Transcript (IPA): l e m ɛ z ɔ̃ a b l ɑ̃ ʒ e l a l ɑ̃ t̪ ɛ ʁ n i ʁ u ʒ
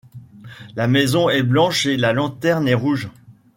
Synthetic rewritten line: l a m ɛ z ɔ̃ ɛ b l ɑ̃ ʃ e l a l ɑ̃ t̪ ɛ ʁ n ɛ ʁ u ʒ